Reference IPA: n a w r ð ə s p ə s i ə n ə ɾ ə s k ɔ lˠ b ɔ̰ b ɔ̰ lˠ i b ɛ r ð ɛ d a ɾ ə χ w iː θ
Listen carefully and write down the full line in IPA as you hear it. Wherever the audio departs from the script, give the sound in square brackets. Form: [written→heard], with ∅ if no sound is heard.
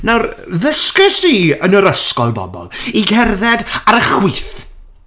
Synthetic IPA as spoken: n a w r ð ə s [p→k] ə s i ə n ə ɾ ə s k ɔ lˠ b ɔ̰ b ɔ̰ lˠ i [b→ɡ] ɛ r ð ɛ d a ɾ ə χ w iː θ